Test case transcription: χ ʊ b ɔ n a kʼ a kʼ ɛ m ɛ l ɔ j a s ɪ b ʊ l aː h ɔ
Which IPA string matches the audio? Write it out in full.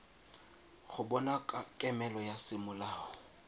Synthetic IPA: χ ʊ b ɔ n a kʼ a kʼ ɛ m ɛ l ɔ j a s ɪ m ʊ l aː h ɔ